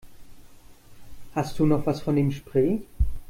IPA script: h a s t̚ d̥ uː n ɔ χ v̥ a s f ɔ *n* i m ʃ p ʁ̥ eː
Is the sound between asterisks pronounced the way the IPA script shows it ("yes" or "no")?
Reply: yes